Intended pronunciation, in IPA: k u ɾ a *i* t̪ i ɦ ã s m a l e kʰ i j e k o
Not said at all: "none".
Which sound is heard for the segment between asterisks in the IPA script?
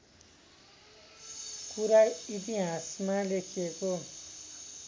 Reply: i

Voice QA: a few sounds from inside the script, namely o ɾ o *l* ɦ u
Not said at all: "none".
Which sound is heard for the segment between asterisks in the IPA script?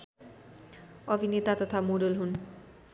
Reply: l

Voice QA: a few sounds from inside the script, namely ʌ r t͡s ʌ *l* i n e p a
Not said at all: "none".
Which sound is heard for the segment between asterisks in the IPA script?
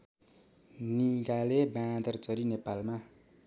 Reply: ɾ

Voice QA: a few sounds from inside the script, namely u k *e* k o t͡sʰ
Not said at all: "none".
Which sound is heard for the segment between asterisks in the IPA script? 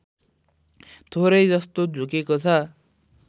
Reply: e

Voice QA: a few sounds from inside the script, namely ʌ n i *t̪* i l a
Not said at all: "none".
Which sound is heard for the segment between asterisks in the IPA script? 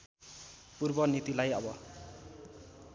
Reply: t̪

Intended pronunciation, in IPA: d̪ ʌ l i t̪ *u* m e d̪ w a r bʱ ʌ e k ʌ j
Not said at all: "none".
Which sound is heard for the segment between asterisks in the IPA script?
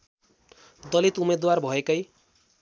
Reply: u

